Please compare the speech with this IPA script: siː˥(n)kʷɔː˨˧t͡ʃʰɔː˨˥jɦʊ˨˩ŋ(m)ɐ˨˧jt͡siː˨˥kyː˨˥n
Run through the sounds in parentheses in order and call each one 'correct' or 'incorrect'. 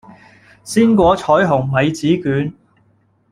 correct, correct

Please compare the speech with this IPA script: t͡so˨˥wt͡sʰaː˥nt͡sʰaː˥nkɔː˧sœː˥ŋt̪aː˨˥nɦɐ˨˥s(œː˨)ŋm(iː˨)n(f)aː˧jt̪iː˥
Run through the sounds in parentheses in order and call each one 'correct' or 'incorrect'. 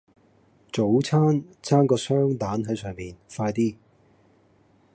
correct, correct, correct

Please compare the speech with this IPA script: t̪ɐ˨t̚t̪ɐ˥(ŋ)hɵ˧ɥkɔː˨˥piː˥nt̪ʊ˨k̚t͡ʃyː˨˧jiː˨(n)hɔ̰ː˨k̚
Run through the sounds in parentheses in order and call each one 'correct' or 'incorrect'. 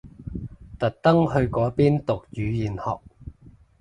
correct, correct

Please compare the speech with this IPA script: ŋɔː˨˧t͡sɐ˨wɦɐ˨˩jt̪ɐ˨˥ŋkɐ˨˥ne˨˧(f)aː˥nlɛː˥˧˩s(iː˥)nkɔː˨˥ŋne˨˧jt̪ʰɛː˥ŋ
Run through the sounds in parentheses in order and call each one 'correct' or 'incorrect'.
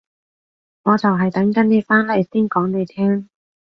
correct, correct

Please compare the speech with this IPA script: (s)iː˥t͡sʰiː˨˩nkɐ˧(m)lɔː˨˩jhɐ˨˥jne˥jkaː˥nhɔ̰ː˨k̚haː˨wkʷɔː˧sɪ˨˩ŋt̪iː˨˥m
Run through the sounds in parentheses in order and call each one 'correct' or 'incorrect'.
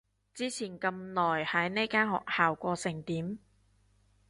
incorrect, correct

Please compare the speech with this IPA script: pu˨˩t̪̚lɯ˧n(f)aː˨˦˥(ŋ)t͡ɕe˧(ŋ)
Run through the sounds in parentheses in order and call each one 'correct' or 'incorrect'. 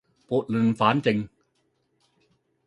correct, incorrect, correct

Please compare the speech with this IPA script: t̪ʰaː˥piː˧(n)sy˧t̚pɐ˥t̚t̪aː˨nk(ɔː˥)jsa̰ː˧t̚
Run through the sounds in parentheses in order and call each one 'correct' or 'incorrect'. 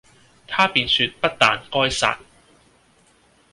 correct, correct

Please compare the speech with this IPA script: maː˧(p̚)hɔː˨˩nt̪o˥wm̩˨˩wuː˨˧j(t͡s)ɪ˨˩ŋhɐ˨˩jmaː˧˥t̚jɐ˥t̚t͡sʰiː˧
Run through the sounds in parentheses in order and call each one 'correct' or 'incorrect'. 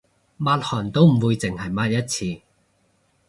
incorrect, correct

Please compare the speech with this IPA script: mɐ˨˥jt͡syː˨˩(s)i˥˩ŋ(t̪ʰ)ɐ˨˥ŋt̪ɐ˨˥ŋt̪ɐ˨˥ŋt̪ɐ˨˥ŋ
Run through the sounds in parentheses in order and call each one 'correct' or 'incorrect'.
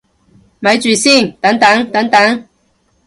correct, incorrect

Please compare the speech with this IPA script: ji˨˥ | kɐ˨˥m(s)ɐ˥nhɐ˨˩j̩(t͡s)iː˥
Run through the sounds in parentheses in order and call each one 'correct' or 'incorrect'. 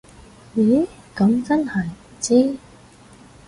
incorrect, correct

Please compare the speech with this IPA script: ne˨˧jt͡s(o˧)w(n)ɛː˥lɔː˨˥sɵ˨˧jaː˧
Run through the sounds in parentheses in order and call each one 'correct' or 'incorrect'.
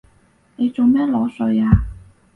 incorrect, incorrect

